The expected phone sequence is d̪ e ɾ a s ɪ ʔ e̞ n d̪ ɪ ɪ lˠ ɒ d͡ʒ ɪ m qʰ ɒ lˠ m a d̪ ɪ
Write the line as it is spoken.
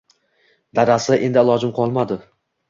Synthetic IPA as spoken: d̪ a ɾ a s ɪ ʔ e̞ n d̪ ɪ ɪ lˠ ɒ d͡ʒ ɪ m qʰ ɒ lˠ m a d̪ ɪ